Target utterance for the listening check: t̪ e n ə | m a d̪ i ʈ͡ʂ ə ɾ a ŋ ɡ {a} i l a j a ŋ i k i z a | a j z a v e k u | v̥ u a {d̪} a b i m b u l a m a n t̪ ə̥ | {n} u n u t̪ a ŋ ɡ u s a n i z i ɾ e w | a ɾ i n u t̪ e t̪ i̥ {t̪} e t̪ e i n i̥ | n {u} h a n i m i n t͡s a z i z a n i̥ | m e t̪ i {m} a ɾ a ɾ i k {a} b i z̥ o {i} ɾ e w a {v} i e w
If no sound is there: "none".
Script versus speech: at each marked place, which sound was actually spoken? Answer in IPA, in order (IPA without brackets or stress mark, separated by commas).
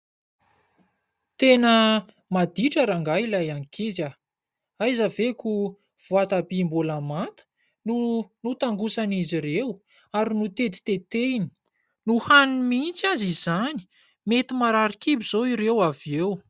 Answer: a, t̪, n, t̪, u, m, i, i, v